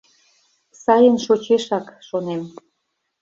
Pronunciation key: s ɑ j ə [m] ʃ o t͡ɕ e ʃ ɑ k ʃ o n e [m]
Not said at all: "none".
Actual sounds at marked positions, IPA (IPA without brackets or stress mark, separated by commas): n, m